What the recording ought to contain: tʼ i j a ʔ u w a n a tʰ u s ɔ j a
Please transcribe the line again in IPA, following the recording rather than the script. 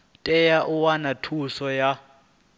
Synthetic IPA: tʼ ɛ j a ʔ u w a n a tʰ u s ɔ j a